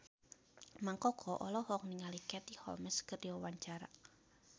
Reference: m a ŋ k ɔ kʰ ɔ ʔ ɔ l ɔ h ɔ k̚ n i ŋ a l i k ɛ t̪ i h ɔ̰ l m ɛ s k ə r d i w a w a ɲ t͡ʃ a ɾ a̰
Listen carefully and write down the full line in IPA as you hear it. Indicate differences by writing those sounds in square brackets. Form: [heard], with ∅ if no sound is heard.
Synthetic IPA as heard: m a ŋ k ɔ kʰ ɔ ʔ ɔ l ɔ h ɔ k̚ n i ŋ a l i k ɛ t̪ i h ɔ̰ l m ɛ s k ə r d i w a w a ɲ t͡ʃ a ɾ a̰